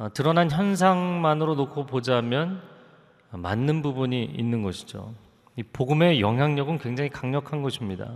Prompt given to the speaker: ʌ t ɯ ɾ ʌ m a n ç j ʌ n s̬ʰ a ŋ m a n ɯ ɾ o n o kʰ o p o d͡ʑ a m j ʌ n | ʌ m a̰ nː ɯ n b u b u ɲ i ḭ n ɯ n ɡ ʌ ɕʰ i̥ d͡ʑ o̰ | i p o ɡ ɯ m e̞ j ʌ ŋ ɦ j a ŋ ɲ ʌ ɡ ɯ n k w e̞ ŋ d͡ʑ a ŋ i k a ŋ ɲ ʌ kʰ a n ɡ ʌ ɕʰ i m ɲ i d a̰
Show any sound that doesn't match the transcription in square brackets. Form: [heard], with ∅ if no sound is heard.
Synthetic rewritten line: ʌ t ɯ ɾ ʌ [n] a n ç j ʌ n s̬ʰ a ŋ m a n ɯ ɾ o n o kʰ o p o d͡ʑ a m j ʌ n | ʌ m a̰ nː ɯ n b u b u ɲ i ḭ [nː] ɯ n ɡ ʌ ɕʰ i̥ d͡ʑ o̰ | i p o ɡ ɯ m e̞ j ʌ ŋ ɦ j a ŋ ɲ ʌ ɡ ɯ n k w e̞ ŋ d͡ʑ a ŋ i k a ŋ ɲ ʌ kʰ a n ɡ ʌ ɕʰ i m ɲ i d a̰